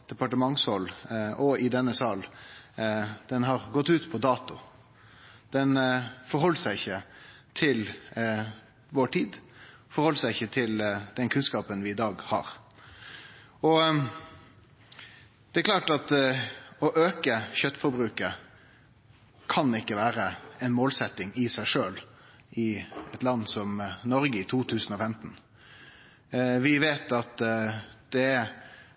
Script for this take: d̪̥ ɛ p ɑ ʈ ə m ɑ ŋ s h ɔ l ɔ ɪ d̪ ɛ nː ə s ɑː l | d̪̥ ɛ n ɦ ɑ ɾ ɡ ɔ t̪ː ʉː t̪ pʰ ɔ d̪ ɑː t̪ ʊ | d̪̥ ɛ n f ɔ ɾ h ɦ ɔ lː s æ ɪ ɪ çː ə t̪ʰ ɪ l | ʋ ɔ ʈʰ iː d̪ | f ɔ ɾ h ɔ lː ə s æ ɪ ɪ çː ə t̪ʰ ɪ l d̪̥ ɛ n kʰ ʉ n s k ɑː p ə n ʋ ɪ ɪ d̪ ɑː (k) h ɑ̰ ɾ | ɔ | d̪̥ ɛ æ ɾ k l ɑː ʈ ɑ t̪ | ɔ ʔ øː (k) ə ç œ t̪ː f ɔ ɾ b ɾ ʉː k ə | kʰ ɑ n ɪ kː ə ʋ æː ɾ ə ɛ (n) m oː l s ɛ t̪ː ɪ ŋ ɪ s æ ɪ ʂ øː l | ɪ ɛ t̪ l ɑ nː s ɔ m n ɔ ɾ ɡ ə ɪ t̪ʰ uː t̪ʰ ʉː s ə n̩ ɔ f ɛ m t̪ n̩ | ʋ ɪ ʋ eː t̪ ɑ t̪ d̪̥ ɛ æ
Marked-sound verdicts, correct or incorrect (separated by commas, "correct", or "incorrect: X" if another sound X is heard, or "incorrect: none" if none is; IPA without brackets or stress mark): incorrect: ɡ, correct, correct